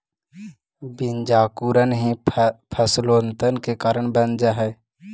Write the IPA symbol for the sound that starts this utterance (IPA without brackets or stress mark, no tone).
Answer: b